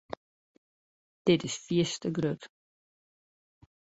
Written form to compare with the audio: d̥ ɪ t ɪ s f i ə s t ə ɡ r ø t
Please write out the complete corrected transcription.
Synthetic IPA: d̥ ɪ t ɪ s f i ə s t ə ɡ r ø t